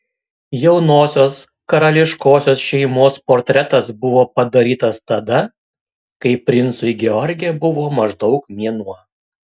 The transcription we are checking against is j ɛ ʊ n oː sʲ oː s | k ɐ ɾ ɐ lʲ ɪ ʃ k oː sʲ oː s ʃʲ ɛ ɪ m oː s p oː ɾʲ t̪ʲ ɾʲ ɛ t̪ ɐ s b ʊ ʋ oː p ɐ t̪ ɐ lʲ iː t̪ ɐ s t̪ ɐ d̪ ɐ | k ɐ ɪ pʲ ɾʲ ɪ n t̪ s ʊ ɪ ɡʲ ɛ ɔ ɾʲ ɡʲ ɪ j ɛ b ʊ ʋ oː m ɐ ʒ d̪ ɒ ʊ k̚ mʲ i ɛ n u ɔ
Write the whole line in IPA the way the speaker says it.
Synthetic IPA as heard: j ɛ ʊ n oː sʲ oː s | k ɐ ɾ ɐ lʲ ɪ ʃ k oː sʲ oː s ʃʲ ɛ ɪ m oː s p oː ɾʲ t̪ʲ ɾʲ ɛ t̪ ɐ s b ʊ ʋ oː p ɐ d̪ ɐ ɾʲ iː t̪ ɐ s t̪ ɐ d̪ ɐ | k ɐ ɪ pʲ ɾʲ ɪ n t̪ s ʊ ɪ ɡʲ ɛ ɔ ɾʲ ɡʲ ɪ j ɛ b ʊ ʋ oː m ɐ ʒ d̪ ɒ ʊ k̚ mʲ i ɛ n u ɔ